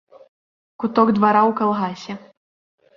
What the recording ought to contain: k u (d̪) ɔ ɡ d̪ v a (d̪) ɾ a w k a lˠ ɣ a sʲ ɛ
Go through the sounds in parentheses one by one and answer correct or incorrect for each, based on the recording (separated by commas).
incorrect, incorrect